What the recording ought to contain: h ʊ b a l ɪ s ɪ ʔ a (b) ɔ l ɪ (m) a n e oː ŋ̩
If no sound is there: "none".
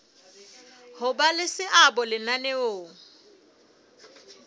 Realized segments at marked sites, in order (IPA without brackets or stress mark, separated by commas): b, n